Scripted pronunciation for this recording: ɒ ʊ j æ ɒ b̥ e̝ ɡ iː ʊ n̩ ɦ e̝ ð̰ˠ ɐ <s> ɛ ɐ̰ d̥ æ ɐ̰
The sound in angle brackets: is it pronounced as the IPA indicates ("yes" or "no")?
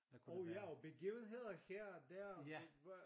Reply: no